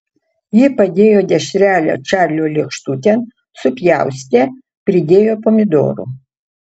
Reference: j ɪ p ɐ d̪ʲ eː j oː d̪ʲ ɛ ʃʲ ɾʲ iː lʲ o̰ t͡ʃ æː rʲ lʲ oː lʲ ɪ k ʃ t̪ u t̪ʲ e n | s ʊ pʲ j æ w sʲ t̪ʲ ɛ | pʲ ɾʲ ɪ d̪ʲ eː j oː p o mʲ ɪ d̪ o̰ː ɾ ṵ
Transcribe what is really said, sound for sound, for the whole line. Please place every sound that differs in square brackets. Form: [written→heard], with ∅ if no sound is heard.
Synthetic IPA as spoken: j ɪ p ɐ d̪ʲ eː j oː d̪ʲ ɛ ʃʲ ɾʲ [iː→æː] lʲ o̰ t͡ʃ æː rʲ lʲ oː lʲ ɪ k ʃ t̪ u t̪ʲ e n | s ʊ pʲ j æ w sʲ t̪ʲ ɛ | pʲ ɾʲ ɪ d̪ʲ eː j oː p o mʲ ɪ d̪ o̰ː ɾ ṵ